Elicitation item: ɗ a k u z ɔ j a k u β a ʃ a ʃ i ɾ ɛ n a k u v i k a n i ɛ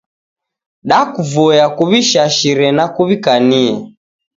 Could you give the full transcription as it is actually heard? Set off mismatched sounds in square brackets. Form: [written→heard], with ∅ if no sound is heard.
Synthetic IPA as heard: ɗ a k u [z→v] ɔ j a k u β [a→i] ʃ a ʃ i ɾ ɛ n a k u [v→β] i k a n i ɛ